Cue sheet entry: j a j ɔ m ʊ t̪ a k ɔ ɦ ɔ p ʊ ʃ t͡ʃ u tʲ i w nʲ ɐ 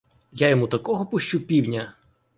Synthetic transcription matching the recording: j a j ɔ m u t̪ ɐ k ɔ ɦ ɔ p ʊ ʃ t͡ʃ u pʲ i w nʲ ɐ